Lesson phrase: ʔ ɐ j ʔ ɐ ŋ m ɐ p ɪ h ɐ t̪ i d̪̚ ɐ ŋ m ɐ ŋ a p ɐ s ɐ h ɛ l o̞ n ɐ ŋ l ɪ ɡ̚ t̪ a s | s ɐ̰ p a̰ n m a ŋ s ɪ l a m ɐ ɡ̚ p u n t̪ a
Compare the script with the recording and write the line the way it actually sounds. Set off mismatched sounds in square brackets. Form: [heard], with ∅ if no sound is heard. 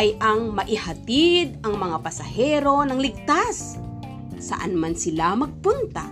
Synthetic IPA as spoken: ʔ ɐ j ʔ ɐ ŋ m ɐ [ʔ] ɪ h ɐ t̪ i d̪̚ ɐ ŋ m ɐ ŋ a p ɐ s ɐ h ɛ [ɾ] o̞ n ɐ ŋ l ɪ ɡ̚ t̪ a s | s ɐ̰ [ʔ] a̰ n m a [n] s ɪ l a m ɐ ɡ̚ p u n t̪ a